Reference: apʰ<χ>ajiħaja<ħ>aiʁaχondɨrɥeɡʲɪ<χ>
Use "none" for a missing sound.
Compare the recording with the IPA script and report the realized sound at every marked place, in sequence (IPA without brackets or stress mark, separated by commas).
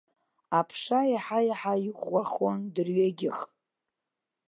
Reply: ʂ, ħ, χ